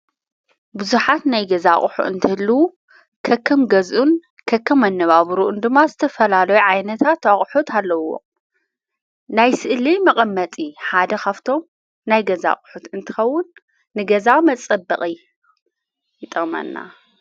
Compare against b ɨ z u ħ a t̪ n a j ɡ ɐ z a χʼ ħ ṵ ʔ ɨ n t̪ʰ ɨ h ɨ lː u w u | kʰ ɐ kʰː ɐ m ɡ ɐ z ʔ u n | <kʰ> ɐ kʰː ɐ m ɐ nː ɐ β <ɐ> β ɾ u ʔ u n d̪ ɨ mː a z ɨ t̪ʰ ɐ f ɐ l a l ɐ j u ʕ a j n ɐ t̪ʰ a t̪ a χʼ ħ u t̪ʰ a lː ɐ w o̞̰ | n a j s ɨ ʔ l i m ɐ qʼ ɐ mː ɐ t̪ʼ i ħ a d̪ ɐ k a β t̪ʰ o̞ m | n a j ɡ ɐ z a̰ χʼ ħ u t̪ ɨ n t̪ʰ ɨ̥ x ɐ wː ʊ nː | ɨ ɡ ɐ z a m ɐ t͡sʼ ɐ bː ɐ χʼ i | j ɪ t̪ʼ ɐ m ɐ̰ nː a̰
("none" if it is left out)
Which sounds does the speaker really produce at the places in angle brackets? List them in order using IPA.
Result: kʰ, a

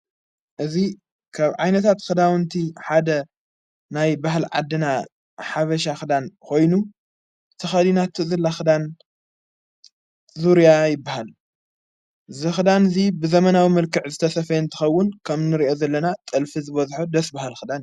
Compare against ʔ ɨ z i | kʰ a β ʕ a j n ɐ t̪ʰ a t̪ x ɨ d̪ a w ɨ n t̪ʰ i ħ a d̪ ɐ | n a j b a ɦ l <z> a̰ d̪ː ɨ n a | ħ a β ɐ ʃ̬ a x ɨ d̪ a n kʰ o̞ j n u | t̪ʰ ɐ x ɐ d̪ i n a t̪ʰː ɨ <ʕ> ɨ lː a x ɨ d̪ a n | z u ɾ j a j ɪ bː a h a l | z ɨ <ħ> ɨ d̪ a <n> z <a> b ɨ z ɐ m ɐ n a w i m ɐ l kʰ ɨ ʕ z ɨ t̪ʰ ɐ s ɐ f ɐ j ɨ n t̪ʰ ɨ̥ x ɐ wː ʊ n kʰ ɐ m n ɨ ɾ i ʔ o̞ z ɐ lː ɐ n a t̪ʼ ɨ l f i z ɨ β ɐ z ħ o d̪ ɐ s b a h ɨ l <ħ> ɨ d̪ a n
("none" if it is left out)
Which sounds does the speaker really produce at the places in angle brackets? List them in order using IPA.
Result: ʕ, z, x, n, i, x

